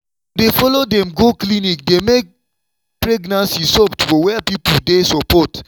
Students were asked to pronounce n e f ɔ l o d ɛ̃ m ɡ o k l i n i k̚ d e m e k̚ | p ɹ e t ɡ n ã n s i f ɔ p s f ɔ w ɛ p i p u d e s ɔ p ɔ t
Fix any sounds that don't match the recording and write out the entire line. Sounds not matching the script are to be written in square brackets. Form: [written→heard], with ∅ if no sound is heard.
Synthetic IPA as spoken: [n→d] e f ɔ l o d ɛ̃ m ɡ o k l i n i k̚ d e m e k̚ | p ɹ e [t→∅] ɡ n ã n s i [f→s] ɔ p [s→t] f ɔ w ɛ p i p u d e s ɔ p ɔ t